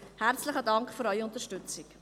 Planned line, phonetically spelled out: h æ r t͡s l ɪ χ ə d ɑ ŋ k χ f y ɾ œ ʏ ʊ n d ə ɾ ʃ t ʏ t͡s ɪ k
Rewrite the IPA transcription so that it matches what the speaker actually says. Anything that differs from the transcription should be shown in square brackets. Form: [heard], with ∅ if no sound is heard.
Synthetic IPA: h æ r t͡s l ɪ χ ə d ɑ ŋ k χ f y ɾ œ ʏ ʊ n [t] ə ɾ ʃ t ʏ t͡s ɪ k